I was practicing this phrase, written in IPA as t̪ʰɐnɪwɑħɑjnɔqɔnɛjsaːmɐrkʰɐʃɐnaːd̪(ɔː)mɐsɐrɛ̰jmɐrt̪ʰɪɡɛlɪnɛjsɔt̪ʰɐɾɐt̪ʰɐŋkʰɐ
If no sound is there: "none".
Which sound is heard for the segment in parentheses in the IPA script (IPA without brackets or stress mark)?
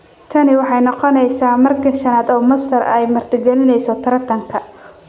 ɔː